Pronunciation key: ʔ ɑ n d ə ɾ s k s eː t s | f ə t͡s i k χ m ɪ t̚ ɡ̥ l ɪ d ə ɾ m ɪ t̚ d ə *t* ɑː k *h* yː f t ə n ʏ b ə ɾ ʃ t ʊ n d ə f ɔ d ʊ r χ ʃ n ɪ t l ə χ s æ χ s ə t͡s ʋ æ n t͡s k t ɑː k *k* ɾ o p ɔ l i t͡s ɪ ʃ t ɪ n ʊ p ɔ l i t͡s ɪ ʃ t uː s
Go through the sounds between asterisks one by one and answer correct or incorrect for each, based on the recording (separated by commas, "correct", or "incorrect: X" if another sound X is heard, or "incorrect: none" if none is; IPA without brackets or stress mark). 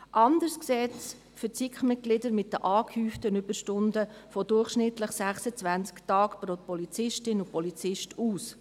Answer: incorrect: ʔ, correct, incorrect: p